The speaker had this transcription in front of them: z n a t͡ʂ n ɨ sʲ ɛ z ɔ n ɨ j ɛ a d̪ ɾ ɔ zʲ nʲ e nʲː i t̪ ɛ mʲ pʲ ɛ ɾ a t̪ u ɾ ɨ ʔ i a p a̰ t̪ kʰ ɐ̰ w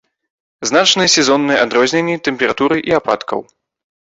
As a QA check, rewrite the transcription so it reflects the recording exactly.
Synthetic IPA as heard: z n a t͡ʂ n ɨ sʲ ɛ z ɔ nː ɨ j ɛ a d̪ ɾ ɔ zʲ nʲ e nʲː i t̪ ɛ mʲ pʲ ɛ ɾ a t̪ u ɾ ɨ ʔ i a p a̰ t̪ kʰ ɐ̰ w